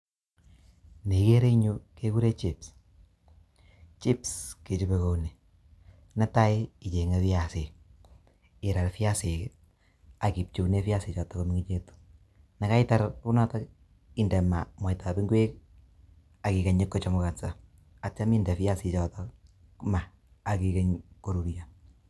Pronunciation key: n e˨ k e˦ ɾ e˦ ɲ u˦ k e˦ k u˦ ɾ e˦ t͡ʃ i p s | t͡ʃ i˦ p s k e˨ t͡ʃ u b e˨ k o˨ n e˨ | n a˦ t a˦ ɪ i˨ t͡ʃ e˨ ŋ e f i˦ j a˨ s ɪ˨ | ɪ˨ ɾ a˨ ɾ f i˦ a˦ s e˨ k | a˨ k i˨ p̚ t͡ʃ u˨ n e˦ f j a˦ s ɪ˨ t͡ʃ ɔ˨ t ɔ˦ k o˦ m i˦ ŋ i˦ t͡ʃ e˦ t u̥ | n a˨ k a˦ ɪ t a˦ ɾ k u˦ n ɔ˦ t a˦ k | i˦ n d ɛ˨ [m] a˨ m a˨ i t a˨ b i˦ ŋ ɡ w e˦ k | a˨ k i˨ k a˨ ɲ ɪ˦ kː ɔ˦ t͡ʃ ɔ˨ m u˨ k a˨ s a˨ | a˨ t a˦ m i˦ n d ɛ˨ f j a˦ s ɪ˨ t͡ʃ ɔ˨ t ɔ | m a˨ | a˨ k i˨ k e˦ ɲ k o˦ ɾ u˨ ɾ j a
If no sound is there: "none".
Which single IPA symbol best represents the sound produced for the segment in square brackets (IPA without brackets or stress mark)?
m